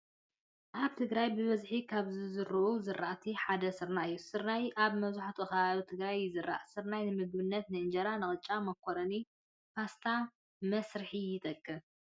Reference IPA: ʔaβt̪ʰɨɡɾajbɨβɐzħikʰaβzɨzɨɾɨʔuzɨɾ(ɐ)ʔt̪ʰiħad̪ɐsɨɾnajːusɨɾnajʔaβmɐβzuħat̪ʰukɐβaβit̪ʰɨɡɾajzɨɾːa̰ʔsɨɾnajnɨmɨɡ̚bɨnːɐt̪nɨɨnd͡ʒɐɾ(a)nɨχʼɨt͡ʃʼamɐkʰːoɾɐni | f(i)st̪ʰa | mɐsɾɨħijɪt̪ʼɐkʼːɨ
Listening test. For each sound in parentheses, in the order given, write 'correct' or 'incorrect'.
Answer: incorrect, correct, incorrect

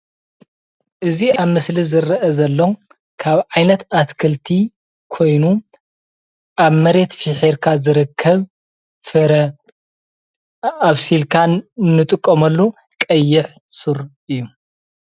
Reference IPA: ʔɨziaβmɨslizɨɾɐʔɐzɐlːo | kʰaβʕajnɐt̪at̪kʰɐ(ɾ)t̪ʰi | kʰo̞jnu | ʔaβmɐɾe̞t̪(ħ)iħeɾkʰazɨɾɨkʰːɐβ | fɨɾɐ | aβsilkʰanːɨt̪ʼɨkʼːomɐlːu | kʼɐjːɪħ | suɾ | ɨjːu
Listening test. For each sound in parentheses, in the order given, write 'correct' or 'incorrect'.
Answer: incorrect, incorrect

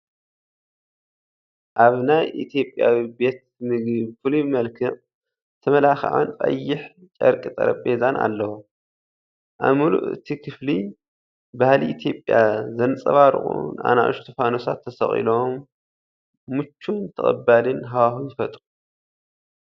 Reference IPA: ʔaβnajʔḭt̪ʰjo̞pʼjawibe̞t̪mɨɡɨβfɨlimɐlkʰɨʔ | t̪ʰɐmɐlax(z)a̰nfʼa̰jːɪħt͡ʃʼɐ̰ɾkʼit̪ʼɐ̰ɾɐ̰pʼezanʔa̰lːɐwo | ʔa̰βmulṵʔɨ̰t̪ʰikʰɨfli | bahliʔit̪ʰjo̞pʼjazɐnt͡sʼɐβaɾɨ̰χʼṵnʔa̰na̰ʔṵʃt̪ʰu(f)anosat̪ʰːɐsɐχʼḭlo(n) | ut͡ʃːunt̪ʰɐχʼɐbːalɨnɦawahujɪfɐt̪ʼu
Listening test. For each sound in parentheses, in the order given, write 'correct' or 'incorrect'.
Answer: incorrect, correct, incorrect

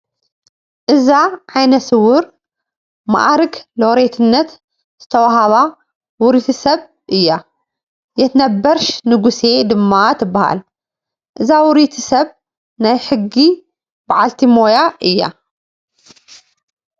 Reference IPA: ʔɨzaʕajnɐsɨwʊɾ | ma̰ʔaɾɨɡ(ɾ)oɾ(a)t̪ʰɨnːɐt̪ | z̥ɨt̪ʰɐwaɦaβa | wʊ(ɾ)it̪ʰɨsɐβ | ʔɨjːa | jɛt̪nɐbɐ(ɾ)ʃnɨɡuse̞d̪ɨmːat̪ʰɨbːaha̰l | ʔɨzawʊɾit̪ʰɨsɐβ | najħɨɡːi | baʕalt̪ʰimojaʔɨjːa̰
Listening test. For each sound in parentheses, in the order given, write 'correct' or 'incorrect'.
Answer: incorrect, incorrect, correct, correct

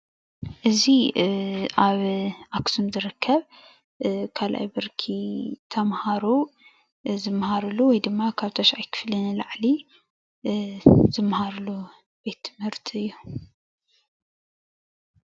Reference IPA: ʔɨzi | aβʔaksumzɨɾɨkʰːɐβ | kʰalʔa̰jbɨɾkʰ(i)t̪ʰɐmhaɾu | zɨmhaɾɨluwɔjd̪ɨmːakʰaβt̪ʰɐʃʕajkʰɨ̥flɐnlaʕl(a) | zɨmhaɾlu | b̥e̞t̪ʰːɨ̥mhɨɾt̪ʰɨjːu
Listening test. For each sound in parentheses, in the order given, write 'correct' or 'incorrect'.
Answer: correct, incorrect

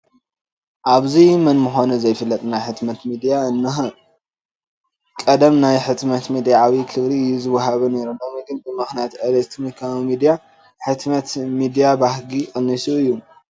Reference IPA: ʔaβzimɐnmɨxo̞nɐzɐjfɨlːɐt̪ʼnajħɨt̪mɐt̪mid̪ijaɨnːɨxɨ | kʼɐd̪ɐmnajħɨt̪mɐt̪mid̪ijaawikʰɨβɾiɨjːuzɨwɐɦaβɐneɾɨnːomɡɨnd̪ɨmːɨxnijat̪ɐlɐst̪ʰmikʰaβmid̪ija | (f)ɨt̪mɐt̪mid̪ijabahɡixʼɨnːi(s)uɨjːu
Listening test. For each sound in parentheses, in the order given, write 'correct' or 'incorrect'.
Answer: incorrect, correct

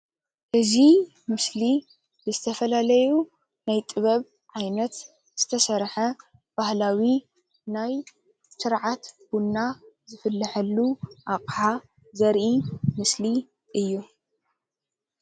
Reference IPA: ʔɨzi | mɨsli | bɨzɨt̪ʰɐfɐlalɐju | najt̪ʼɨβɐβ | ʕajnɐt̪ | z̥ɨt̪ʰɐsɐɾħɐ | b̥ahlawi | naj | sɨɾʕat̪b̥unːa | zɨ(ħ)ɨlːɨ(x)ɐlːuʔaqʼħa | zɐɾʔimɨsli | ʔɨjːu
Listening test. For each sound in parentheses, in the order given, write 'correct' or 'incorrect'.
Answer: incorrect, incorrect

